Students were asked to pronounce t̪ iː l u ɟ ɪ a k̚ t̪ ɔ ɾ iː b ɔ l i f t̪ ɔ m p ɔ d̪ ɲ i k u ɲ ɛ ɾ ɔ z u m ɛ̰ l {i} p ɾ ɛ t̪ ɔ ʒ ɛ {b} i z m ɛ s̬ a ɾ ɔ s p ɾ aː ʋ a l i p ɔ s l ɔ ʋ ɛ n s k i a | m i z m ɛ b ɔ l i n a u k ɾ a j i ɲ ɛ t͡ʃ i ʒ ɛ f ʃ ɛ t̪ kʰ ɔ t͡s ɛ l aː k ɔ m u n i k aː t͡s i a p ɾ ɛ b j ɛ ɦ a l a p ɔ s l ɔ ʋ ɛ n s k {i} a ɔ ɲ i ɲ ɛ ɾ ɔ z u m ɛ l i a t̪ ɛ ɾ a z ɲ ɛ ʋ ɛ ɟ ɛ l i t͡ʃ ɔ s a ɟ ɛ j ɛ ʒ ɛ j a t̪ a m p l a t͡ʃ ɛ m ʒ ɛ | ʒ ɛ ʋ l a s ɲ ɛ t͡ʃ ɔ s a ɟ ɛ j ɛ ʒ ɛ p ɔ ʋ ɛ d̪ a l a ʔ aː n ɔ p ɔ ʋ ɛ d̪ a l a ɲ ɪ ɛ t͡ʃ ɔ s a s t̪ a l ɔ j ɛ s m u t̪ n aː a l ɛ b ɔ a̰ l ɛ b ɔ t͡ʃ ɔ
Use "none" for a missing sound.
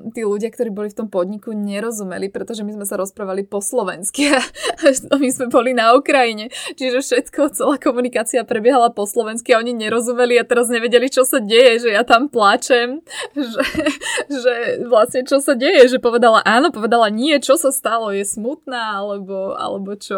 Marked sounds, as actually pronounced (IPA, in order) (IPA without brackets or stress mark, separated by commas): i, m, i